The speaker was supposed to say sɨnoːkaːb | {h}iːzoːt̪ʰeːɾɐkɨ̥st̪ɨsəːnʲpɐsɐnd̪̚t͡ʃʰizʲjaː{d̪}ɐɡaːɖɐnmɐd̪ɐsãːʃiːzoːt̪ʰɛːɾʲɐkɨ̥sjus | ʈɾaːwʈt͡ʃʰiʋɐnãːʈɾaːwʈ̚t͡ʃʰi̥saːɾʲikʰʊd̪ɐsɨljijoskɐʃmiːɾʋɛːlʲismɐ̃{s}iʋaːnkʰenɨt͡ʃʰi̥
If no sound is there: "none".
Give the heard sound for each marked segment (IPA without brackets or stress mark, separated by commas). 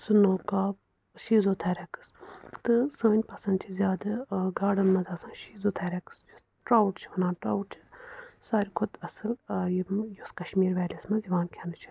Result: ʃ, d̪, z